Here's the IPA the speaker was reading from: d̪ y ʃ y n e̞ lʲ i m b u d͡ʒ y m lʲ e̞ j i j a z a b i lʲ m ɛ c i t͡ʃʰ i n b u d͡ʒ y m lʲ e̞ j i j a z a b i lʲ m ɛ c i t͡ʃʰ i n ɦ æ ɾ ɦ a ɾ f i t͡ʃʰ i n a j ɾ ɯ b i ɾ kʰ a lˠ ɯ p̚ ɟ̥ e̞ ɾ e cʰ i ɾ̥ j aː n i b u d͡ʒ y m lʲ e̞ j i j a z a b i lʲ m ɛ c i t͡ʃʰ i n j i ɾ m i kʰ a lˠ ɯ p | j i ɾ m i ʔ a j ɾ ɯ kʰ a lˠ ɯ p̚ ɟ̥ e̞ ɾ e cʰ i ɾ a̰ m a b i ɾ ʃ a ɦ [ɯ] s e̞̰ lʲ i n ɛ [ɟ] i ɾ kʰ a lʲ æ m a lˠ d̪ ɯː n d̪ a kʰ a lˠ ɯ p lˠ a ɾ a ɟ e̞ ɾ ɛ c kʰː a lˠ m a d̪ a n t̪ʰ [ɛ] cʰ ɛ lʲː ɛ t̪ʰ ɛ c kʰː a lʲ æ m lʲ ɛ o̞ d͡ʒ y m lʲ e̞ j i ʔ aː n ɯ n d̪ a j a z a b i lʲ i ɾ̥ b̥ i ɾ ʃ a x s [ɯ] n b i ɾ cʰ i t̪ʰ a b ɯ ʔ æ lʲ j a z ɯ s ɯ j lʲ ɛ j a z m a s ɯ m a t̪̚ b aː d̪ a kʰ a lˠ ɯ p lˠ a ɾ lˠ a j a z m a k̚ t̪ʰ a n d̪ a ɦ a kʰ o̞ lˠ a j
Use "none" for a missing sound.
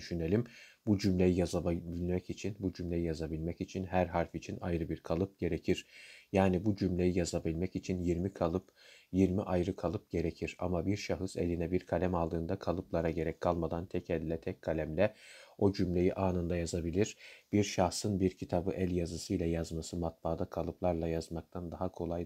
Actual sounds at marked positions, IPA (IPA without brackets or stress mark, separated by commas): ɯ, b, ɛ, ɯ